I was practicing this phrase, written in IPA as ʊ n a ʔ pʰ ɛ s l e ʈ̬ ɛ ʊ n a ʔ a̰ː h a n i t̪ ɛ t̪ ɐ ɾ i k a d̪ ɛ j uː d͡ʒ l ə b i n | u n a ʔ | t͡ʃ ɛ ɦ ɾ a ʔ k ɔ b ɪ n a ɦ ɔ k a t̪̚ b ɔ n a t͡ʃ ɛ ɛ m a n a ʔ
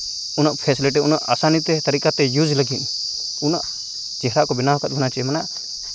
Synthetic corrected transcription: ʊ n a ʔ pʰ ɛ s l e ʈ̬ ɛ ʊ n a ʔ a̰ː s a n i t̪ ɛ t̪ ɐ ɾ i k a t̪ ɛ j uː d͡ʒ l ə ɡ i n | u n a ʔ | t͡ʃ ɛ ɦ ɾ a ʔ k ɔ b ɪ n a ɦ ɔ k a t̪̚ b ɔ n a t͡ʃ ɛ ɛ m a n a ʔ